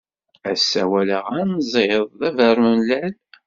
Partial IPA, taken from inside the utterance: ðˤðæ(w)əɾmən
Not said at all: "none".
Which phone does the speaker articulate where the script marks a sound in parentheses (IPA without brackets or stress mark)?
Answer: v